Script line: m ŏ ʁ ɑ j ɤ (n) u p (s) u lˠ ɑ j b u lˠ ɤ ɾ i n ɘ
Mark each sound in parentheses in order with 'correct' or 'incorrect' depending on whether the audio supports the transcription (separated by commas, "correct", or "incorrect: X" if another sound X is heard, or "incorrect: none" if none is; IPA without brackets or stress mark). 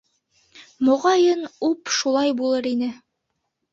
correct, incorrect: ʃ